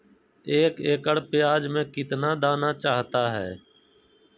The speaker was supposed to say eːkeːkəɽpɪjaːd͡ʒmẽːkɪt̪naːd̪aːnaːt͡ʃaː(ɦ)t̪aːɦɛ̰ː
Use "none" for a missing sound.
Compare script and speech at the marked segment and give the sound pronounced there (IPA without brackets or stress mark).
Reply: ɦ